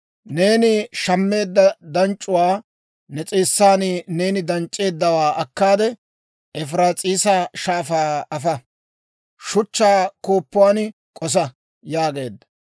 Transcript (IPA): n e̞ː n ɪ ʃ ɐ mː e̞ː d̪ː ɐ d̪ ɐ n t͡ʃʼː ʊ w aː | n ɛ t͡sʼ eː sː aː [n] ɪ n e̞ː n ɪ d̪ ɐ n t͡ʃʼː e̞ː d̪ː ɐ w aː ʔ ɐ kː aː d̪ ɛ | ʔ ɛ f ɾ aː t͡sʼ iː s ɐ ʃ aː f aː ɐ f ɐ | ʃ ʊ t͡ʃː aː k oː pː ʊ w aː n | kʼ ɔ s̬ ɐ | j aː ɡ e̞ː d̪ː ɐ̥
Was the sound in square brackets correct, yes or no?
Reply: yes